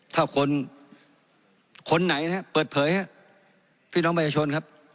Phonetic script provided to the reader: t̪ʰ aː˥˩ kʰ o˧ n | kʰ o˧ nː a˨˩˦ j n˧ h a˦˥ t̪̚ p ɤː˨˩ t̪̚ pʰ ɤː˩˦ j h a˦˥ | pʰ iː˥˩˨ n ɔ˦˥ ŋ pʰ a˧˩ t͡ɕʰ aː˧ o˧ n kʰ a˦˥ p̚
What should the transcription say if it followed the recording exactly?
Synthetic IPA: t̪ʰ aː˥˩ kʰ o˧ n | kʰ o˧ nː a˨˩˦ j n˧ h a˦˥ p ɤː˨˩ t̪̚ pʰ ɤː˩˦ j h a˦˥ | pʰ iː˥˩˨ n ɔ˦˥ ŋ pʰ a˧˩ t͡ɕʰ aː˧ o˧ n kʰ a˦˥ p̚